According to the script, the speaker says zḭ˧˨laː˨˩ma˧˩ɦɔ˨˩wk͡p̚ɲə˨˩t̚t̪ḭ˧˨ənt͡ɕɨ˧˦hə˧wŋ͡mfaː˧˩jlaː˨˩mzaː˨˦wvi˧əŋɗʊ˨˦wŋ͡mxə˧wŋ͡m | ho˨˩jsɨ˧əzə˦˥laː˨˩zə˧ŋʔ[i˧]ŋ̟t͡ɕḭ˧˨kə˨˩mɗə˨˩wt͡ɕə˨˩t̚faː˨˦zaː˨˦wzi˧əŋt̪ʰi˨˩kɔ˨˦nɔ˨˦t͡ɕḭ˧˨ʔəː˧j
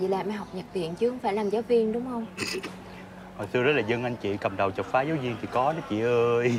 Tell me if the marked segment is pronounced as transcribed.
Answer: no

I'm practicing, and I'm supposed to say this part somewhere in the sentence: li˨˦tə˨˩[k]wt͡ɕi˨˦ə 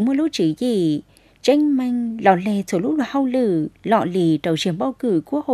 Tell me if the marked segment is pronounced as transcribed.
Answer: no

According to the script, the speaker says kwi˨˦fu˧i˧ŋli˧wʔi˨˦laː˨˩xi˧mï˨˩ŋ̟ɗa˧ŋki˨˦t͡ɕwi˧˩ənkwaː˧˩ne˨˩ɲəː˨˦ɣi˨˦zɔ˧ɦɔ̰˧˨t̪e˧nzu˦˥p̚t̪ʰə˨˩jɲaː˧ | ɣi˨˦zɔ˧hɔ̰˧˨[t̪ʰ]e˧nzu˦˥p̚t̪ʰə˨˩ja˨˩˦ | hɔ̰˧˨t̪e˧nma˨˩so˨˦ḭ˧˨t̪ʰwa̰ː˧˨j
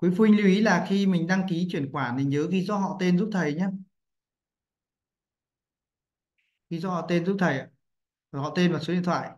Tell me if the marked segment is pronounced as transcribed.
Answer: no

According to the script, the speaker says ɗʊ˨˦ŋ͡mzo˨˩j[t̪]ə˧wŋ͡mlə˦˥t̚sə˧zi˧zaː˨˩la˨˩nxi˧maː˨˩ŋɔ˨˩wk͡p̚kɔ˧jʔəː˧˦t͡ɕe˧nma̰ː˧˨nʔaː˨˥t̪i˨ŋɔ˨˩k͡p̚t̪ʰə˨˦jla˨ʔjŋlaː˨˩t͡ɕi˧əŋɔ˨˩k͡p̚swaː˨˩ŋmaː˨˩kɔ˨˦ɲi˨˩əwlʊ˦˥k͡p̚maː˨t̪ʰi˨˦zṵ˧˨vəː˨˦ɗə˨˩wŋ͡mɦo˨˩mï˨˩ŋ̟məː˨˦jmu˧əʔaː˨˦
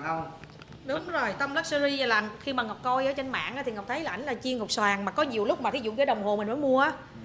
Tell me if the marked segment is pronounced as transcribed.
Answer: yes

